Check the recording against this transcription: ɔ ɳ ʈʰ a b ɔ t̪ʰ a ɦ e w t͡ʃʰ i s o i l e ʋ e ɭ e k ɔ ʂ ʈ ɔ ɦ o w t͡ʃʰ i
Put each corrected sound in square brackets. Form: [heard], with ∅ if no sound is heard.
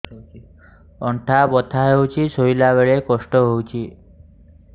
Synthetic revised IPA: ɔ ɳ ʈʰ a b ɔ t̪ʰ a ɦ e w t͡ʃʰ i s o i l [a] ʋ e ɭ e k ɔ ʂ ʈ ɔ ɦ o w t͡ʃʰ i

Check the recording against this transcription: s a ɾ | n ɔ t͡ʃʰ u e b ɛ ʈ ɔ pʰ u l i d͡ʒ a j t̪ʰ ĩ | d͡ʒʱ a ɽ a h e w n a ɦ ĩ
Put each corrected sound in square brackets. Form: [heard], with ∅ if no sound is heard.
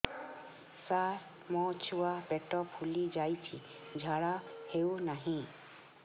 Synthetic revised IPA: s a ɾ | [m] ɔ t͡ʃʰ u [a] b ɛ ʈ ɔ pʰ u l i d͡ʒ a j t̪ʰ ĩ | d͡ʒʱ a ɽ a h e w n a ɦ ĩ

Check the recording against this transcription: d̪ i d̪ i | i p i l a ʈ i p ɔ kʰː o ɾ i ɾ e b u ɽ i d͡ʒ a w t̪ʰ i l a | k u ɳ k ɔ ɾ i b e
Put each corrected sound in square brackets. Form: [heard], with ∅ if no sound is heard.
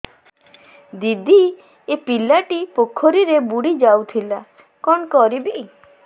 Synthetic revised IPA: d̪ i d̪ i | [e] p i l a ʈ i p [o] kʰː o ɾ i ɾ e b u ɽ i d͡ʒ a w t̪ʰ i l a | k [ɔ] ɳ k ɔ ɾ i b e

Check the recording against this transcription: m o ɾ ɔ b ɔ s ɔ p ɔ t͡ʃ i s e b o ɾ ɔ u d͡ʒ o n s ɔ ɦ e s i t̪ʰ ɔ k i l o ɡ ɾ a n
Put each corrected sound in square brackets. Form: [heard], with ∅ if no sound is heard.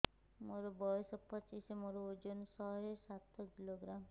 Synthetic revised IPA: m o ɾ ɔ b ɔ s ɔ p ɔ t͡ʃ i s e [m] o ɾ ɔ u d͡ʒ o n s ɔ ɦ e s [a] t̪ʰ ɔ k i l o ɡ ɾ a [m]

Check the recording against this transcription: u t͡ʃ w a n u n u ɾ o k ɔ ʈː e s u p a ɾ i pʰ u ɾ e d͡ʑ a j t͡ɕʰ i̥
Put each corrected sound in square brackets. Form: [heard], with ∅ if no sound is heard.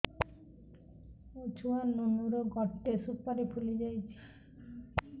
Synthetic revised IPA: u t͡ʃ [u] a n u n u ɾ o [ɡ] ɔ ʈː e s u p a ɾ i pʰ u [l] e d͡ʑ a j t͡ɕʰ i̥

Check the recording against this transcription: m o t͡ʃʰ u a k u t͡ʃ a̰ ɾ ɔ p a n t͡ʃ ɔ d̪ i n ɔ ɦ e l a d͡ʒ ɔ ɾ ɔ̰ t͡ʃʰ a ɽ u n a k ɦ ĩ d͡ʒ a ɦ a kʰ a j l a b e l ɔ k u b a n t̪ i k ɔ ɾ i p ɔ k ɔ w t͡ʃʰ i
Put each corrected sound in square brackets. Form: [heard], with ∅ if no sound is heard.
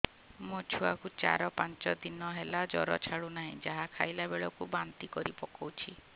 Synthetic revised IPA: m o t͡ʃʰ u a k u t͡ʃ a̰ ɾ ɔ p a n t͡ʃ ɔ d̪ i n ɔ ɦ e l a d͡ʒ ɔ ɾ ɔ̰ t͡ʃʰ a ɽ u n a [∅] ɦ ĩ d͡ʒ a ɦ a kʰ a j l a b e [ɭ] ɔ k u b a n t̪ i k ɔ ɾ i p ɔ k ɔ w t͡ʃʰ i

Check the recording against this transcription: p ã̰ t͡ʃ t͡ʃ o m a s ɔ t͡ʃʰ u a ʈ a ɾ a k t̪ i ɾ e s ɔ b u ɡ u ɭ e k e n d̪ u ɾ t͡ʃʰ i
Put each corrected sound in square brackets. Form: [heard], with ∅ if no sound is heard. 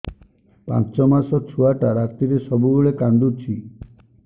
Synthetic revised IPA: p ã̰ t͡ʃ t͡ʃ [ɔ] m a s ɔ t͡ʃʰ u a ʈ a ɾ a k t̪ i ɾ e s ɔ b u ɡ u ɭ e k [a] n d̪ u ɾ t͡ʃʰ i

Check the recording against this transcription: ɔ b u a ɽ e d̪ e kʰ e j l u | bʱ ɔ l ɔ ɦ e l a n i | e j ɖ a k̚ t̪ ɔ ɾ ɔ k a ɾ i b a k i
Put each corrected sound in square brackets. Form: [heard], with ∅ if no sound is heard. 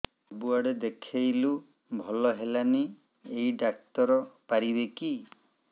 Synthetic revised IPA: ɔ b u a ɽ e d̪ e kʰ e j l u | bʱ ɔ l ɔ ɦ e l a n i | e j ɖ a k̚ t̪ ɔ ɾ ɔ [p] a ɾ i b [e] k i

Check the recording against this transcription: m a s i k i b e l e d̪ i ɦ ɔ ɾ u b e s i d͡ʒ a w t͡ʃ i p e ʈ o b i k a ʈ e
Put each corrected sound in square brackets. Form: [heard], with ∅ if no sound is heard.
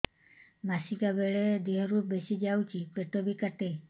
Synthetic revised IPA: m a s i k [a] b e [ɭ] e d̪ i ɦ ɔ ɾ u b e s i d͡ʒ a w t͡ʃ i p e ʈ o b i k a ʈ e

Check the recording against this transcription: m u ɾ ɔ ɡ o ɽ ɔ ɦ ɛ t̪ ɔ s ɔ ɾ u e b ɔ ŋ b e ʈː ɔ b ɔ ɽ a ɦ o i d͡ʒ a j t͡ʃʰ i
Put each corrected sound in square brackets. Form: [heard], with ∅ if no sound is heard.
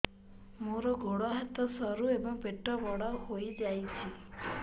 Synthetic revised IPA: m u ɾ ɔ ɡ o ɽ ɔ ɦ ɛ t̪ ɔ s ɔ ɾ u e b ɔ ŋ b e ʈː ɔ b ɔ ɽ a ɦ o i d͡ʒ a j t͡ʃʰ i

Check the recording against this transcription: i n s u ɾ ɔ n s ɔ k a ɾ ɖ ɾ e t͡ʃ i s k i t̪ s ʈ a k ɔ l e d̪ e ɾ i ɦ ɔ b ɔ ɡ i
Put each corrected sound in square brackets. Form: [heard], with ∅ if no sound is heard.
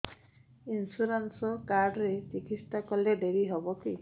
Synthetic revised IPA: i n s u ɾ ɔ n s ɔ k a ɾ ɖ ɾ e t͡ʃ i [∅] k i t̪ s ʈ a k ɔ l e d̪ e ɾ i ɦ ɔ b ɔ [k] i

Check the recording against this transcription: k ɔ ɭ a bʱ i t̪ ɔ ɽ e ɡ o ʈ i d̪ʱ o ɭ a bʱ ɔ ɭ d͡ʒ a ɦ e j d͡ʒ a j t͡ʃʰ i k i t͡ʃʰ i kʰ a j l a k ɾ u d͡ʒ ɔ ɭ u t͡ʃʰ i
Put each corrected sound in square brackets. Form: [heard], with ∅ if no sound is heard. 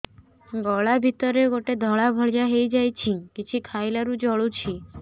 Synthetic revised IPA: [ɡ] ɔ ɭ a bʱ i t̪ ɔ [ɾ] e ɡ o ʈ [e] d̪ʱ [ɔ] ɭ a bʱ ɔ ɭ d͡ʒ a ɦ e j d͡ʒ a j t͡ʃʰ i k i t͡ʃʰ i kʰ a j l a [∅] ɾ u d͡ʒ ɔ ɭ u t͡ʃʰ i

